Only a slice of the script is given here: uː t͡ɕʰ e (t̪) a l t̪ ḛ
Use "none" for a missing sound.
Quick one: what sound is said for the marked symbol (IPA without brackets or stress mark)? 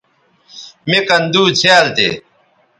none